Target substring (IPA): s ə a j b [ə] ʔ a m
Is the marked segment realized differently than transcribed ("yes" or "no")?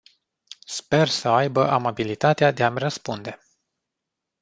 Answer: no